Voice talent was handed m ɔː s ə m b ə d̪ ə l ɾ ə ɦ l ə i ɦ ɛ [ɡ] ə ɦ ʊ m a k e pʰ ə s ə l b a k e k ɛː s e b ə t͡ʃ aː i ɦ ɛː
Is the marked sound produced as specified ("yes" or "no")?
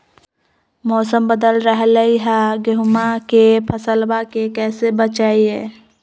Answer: yes